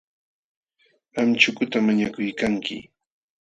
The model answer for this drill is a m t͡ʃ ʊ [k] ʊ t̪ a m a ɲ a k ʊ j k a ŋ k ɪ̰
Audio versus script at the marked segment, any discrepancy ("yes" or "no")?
no